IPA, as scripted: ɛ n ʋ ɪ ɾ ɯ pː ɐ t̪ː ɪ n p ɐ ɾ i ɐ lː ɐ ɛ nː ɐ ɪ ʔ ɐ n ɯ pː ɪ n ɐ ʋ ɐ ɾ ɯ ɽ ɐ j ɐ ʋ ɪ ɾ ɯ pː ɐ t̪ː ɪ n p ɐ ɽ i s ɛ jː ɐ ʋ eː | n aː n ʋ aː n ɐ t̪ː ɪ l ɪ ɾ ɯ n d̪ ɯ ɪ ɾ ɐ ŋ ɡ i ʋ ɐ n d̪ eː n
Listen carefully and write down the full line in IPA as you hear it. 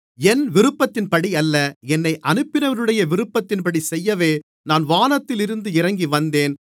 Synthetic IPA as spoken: ɛ n ʋ ɪ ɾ ɯ pː ɐ t̪ː ɪ n p ɐ ɽ i ɐ lː ɐ ɛ nː ɐ ɪ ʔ ɐ n ɯ pː ɪ n ɐ ʋ ɐ ɾ ɯ ɽ ɐ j ɐ ʋ ɪ ɾ ɯ pː ɐ t̪ː ɪ n p ɐ ɽ i s ɛ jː ɐ ʋ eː | n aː n ʋ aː n ɐ t̪ː ɪ l ɪ ɾ ɯ n d̪ ɯ ɪ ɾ ɐ ŋ ɡ i ʋ ɐ n d̪ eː n